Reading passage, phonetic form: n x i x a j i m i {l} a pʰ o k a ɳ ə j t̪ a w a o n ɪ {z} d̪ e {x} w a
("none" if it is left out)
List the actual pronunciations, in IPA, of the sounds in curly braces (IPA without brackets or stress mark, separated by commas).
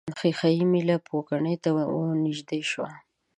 l, ʒ, ʃ